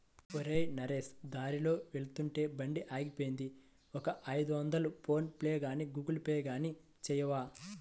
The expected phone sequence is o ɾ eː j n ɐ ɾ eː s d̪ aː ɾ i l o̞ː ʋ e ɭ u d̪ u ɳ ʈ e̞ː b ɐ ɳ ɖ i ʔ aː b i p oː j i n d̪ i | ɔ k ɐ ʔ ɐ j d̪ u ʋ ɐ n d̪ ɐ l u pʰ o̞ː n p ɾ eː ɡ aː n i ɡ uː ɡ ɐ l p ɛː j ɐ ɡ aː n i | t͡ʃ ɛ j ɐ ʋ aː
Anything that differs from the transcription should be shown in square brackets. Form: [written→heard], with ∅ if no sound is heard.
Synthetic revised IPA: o ɾ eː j n ɐ ɾ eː s d̪ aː ɾ i l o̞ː ʋ e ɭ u [d̪→t̪] u ɳ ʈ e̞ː b ɐ ɳ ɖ i ʔ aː [b→ɡ] i p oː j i n d̪ i | ɔ k ɐ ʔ ɐ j d̪ u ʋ ɐ n d̪ ɐ l u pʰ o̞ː n p [ɾ→l] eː ɡ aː n i ɡ uː ɡ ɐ l p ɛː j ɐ ɡ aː n i | t͡ʃ ɛ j ɐ ʋ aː